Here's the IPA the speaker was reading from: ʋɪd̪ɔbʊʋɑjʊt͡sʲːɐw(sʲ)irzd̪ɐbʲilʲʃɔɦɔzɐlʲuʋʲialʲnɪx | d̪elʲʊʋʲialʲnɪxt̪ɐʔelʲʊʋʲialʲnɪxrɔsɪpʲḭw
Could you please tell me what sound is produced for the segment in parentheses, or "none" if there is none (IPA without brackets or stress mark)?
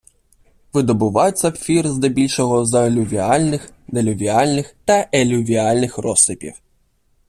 fʲ